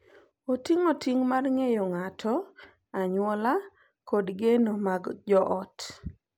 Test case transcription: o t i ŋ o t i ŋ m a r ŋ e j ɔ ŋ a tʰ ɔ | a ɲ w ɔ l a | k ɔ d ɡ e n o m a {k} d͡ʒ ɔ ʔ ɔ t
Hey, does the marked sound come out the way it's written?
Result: no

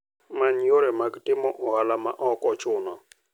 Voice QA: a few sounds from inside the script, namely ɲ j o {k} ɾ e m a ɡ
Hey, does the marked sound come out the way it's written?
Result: no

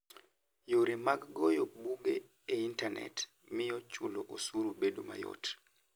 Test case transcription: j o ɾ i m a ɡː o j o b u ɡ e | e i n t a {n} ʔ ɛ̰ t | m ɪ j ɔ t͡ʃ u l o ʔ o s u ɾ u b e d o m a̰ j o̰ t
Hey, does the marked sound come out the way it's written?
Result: yes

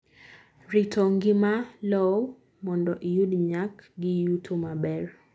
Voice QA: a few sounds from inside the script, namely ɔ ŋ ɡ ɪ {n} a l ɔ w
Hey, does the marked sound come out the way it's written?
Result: no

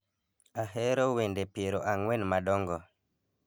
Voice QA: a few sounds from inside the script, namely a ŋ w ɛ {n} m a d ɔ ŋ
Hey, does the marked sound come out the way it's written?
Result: yes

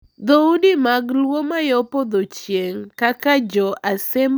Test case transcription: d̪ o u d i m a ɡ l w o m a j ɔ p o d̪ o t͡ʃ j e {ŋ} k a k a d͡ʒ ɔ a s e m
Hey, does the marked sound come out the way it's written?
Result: yes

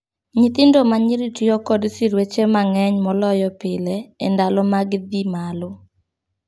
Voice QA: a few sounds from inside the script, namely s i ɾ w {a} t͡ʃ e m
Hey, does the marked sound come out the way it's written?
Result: no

